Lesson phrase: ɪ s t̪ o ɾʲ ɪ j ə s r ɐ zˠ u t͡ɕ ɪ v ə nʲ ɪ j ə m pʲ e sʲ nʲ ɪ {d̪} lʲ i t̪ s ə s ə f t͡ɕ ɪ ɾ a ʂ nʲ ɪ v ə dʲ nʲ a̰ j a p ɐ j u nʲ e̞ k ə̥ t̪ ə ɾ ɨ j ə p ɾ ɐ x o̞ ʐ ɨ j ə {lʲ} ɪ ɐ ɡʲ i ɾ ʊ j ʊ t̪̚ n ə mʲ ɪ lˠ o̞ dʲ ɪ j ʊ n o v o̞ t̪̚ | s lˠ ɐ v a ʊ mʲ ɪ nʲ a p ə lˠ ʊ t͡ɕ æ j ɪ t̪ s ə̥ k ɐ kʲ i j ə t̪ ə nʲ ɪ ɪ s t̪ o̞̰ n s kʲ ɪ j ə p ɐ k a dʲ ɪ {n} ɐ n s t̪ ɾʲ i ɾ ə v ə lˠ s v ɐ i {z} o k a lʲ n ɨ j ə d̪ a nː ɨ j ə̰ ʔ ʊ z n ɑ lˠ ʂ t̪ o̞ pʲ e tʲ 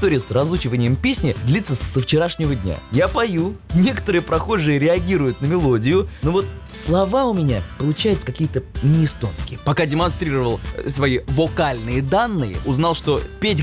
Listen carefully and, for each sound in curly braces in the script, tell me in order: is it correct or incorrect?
correct, incorrect: ɾʲ, incorrect: m, incorrect: v

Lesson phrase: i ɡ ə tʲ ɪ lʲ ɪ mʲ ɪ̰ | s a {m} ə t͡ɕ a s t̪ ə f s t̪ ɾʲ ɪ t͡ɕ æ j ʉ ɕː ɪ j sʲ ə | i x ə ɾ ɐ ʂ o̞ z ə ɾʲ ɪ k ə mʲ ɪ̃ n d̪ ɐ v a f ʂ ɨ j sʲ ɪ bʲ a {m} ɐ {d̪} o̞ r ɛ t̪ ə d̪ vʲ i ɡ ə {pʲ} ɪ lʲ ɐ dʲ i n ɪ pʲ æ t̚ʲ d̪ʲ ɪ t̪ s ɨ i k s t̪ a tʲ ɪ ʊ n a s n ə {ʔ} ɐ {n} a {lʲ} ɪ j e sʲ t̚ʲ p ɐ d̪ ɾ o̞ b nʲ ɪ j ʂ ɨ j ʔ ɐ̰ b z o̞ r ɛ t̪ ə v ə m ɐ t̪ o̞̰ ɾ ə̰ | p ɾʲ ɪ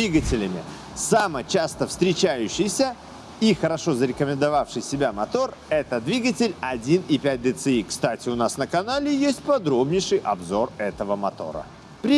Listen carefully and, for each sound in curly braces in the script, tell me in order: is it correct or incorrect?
correct, correct, incorrect: t̪, incorrect: tʲ, incorrect: k, correct, correct

